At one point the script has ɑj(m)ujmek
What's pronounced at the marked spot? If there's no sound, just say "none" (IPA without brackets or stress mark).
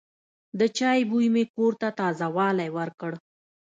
b